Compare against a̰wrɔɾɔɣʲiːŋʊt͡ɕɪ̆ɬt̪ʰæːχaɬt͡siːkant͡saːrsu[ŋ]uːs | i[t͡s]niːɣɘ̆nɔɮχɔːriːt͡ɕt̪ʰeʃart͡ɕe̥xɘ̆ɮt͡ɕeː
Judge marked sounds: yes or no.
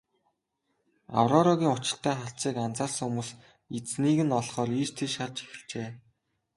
no, yes

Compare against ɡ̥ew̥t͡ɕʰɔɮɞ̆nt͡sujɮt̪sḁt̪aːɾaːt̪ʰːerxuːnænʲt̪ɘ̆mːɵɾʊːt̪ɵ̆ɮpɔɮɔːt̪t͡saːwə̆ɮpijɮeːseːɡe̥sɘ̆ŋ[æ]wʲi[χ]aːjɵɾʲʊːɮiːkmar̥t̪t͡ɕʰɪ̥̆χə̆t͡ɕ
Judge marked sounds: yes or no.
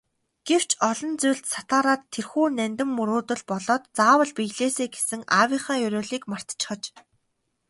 no, yes

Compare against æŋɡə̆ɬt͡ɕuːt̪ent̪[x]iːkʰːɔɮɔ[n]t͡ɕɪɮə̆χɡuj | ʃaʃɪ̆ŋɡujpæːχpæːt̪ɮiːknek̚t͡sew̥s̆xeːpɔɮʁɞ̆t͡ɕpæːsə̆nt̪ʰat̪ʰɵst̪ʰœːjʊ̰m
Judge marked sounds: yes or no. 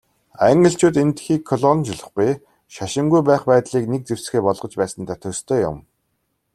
yes, yes

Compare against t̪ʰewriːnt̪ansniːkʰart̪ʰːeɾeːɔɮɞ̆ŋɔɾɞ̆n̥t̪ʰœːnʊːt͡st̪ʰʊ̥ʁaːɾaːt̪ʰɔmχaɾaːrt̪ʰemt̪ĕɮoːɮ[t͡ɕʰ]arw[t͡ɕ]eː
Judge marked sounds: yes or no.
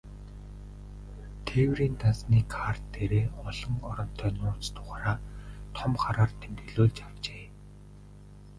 no, yes

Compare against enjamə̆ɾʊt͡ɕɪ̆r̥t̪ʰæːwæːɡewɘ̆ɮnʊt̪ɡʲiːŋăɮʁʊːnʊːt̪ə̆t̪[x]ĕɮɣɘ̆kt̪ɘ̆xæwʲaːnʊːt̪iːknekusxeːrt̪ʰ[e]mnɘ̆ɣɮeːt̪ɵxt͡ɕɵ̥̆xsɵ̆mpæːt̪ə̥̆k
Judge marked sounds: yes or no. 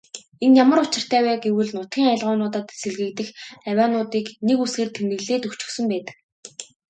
no, yes

